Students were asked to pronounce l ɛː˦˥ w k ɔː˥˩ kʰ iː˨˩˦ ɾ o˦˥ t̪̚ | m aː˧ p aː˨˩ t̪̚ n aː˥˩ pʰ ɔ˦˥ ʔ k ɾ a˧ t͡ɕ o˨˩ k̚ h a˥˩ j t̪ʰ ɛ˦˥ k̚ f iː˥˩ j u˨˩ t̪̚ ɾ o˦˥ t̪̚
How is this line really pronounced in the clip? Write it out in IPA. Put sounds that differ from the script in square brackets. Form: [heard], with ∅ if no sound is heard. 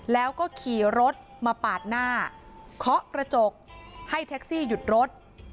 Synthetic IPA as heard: l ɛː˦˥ w k ɔː˥˩ kʰ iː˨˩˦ ɾ o˦˥ t̪̚ | m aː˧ p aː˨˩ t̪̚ n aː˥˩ [kʰ] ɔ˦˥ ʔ k ɾ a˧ t͡ɕ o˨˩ k̚ h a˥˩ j t̪ʰ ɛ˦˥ k̚ [s] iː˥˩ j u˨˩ t̪̚ ɾ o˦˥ t̪̚